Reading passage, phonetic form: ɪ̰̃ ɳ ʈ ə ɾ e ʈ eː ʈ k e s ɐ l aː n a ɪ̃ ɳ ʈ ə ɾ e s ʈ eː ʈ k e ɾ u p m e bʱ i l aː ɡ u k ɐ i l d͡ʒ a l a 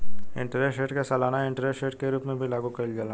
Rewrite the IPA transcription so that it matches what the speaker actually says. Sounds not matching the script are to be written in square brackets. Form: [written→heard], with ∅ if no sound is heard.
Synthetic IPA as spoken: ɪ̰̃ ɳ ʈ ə ɾ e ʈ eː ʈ k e s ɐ l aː n a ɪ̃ ɳ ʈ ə ɾ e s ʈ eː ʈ k e ɾ [u→uː] p m [e→ẽ] bʱ i l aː ɡ u k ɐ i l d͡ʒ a l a